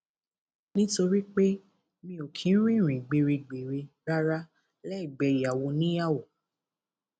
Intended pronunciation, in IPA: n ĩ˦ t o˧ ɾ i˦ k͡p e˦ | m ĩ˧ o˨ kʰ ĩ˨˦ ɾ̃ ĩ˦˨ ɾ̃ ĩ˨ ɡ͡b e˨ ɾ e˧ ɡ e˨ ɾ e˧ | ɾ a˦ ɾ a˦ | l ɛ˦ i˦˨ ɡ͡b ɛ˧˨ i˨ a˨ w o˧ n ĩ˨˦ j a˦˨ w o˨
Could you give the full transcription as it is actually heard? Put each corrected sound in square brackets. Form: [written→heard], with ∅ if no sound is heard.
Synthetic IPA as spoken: n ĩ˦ t o˧ ɾ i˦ k͡p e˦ | m ĩ˧ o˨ kʰ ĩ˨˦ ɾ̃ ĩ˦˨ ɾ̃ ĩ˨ ɡ͡b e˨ ɾ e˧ [ɡ→ɡ͡b] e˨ ɾ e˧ | ɾ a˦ ɾ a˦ | l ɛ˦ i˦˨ ɡ͡b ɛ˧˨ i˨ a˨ w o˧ n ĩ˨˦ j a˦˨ w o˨